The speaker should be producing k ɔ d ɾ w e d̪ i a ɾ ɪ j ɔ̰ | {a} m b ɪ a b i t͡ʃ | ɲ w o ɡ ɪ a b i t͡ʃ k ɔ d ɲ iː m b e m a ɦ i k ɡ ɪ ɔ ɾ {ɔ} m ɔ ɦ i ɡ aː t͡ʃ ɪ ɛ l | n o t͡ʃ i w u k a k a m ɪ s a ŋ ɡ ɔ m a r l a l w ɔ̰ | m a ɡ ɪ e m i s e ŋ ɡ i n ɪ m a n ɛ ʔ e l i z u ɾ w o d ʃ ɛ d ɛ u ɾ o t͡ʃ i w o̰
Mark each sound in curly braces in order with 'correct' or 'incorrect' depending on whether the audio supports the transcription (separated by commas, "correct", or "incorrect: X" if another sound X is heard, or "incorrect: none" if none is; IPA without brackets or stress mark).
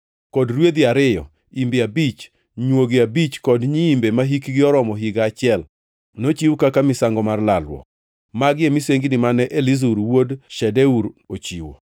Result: incorrect: i, correct